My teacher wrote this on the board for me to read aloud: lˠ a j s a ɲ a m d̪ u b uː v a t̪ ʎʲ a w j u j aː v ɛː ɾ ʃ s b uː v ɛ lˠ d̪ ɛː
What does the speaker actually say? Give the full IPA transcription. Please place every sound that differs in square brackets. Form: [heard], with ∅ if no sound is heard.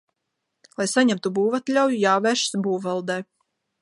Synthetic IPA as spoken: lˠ a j s a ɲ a m [t̪] u b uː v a t̪ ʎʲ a w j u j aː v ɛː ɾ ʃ s b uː v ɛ lˠ d̪ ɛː